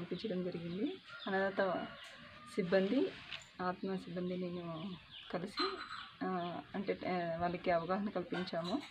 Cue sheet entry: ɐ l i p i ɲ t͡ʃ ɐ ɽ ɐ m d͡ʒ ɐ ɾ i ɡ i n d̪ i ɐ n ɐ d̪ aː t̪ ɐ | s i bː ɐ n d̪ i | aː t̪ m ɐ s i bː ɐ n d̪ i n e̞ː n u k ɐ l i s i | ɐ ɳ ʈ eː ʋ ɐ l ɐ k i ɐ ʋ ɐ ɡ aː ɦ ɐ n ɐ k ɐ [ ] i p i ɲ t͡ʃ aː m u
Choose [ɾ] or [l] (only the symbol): l